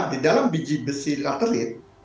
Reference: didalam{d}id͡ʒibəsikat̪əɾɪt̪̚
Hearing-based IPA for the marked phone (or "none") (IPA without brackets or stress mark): b